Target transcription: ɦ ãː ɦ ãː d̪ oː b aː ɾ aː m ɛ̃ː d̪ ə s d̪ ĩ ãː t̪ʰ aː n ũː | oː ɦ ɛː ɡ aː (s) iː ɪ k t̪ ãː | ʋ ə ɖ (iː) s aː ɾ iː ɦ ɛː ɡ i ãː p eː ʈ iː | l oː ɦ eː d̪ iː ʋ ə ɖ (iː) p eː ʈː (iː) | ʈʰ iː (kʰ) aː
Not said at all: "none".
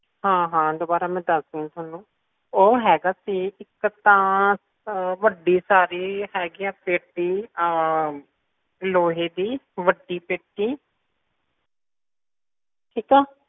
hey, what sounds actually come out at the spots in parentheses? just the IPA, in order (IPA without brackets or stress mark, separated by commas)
s, iː, iː, iː, k